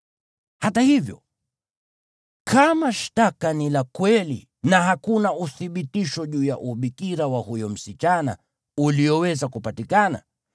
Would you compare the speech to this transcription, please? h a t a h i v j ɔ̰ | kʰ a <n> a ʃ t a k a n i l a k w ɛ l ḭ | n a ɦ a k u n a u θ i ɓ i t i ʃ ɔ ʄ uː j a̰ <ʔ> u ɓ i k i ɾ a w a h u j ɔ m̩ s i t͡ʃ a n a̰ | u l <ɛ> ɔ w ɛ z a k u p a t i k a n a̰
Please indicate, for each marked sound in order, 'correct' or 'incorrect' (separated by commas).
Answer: incorrect, correct, incorrect